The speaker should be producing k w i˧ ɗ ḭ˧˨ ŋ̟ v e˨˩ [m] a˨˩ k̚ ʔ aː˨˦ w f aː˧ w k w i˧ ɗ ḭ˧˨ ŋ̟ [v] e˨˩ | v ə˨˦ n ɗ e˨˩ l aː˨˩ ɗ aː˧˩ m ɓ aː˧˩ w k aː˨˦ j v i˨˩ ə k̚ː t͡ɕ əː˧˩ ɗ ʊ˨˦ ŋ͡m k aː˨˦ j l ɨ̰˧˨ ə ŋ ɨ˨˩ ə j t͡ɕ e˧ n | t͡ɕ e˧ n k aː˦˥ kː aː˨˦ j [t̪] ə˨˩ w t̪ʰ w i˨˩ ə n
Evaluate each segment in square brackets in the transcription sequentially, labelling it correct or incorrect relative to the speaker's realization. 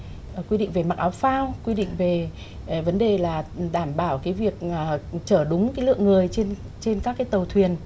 correct, correct, correct

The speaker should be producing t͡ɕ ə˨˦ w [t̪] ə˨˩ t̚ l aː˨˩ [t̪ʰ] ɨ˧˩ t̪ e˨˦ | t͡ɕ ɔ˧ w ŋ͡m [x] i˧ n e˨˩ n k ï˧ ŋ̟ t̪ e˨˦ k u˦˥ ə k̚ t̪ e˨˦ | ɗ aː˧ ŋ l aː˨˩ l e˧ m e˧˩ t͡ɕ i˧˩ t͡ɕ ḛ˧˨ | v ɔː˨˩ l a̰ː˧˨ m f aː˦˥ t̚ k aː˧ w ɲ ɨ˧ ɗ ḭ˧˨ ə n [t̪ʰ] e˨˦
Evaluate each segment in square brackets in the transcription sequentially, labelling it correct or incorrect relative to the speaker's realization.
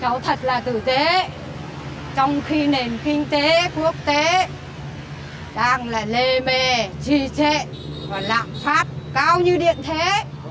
incorrect: t̪ʰ, incorrect: t̪, correct, correct

